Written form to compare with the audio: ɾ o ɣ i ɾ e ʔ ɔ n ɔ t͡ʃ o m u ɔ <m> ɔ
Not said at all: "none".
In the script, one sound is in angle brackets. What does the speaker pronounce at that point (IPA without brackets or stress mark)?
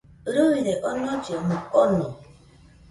n